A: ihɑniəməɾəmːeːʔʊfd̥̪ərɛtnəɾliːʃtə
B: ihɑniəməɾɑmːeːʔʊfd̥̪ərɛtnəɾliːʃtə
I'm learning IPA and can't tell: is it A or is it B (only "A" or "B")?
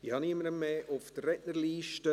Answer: A